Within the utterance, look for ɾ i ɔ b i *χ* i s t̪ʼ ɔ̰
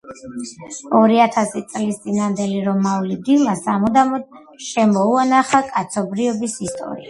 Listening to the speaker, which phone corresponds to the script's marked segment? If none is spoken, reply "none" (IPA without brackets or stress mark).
s